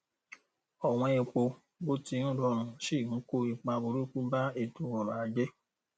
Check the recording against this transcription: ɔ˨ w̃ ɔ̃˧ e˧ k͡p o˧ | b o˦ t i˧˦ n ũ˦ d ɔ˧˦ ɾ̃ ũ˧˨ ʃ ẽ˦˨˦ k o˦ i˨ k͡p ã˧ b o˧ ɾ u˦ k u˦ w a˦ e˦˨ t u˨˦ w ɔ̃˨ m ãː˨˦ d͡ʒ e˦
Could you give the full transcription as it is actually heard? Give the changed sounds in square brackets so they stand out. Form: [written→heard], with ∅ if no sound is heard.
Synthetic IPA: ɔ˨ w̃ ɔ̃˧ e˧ k͡p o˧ | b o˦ t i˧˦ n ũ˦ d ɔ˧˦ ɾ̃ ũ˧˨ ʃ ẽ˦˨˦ k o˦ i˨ k͡p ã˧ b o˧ ɾ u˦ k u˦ [w→b] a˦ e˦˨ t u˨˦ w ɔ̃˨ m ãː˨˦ d͡ʒ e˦